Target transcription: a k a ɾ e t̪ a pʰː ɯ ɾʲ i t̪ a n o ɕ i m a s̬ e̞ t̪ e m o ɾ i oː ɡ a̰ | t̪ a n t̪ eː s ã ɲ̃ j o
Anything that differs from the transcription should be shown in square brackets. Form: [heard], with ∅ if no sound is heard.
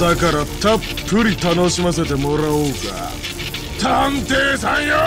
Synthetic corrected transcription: a k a ɾ [a] t̪ a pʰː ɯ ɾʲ i t̪ a n o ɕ i m a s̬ e̞ t̪ e m o ɾ [a] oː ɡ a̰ | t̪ a n t̪ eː s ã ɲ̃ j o